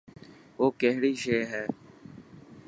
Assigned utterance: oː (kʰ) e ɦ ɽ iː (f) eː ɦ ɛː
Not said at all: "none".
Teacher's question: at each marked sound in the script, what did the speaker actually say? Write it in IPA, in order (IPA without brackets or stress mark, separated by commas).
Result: k, ʃ